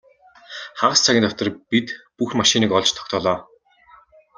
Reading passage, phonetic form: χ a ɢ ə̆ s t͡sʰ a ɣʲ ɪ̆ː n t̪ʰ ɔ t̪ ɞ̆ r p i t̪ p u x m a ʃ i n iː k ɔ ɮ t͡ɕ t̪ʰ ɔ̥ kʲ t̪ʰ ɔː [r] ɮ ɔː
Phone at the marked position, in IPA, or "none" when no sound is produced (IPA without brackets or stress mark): none